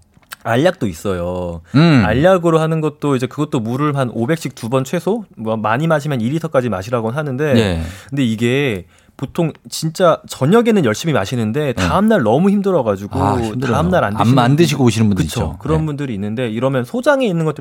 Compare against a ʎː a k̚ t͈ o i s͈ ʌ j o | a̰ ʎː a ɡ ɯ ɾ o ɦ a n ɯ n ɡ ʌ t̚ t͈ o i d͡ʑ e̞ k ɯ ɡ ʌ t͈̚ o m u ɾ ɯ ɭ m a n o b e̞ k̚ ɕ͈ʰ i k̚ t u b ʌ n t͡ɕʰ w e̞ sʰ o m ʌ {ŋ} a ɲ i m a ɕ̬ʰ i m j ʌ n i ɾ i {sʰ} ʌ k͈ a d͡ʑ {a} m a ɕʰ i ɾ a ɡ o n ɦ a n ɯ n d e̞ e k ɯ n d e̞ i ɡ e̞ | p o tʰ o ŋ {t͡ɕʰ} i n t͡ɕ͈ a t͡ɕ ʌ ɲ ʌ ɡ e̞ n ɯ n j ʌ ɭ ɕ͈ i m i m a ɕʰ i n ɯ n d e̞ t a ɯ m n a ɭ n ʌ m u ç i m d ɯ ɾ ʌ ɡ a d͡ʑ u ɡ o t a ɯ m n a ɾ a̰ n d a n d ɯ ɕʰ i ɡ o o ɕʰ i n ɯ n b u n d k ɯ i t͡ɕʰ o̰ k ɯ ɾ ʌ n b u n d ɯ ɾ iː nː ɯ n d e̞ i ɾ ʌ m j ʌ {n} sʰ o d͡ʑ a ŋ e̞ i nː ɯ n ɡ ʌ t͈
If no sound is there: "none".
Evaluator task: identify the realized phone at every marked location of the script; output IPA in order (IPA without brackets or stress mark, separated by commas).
m, tʰ, i, t͡ɕ, n